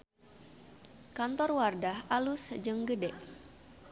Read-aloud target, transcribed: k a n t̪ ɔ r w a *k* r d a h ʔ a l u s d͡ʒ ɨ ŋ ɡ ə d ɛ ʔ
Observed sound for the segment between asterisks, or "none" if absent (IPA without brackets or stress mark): none